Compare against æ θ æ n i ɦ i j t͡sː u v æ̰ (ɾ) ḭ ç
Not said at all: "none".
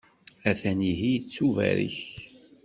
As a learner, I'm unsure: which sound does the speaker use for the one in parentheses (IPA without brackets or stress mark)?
ɾ